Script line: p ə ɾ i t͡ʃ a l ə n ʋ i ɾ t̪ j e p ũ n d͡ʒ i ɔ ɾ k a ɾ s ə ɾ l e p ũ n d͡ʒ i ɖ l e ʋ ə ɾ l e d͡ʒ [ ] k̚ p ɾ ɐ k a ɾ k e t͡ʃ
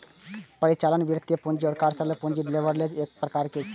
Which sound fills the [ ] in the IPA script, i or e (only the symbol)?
e